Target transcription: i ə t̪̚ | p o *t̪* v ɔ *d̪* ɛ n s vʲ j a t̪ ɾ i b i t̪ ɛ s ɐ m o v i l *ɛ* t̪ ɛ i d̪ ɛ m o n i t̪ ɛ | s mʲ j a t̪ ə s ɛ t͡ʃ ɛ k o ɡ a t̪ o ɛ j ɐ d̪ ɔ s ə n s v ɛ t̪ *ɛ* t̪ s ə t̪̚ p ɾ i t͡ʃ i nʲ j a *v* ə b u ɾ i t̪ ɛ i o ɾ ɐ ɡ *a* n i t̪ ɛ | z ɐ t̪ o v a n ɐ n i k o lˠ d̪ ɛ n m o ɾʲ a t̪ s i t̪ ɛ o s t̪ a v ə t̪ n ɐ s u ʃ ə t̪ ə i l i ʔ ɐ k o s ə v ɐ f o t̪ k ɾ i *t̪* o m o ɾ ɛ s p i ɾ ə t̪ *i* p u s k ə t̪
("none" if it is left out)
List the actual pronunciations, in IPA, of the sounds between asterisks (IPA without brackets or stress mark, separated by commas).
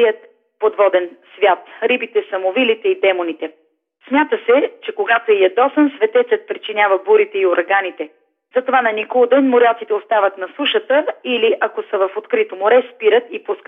d̪, d̪, i, ɛ, v, a, t̪, i